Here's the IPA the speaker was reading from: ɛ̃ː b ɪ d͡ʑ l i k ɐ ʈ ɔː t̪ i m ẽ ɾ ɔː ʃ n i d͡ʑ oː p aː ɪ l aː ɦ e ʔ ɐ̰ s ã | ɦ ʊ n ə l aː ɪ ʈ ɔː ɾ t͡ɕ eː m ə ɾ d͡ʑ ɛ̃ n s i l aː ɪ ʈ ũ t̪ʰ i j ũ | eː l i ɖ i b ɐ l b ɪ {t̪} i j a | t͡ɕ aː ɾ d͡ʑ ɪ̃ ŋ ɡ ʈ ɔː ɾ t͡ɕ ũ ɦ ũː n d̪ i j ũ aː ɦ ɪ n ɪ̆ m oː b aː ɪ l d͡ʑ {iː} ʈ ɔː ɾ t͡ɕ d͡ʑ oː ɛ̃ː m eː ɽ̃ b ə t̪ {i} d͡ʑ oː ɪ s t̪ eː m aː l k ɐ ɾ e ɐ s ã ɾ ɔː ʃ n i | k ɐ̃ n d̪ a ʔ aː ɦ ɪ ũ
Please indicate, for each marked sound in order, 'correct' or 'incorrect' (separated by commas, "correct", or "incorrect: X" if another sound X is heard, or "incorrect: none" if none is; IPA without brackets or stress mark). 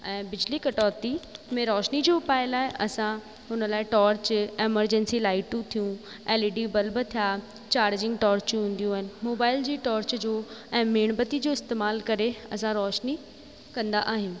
incorrect: t̪ʰ, correct, correct